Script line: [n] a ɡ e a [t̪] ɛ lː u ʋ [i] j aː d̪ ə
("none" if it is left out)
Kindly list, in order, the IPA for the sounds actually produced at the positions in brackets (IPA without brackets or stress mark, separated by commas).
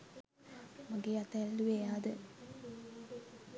m, t̪, e